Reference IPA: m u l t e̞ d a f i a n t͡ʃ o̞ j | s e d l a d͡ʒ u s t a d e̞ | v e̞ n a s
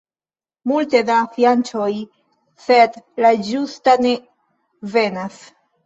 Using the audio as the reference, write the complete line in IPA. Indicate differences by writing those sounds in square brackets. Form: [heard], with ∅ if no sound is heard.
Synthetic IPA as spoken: m u l t e̞ d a f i a n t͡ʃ o̞ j | s e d l a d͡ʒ u s t a [n] e̞ | v e̞ n a s